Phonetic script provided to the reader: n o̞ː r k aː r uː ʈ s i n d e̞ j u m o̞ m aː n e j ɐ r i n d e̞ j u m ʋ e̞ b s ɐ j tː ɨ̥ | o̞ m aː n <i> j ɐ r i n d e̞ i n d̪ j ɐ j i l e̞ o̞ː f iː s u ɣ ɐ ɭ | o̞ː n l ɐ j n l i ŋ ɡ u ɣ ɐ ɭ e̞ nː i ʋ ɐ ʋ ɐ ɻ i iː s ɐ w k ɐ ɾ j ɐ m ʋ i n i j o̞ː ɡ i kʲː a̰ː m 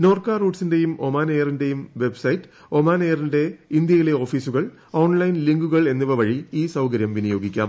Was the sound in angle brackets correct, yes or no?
no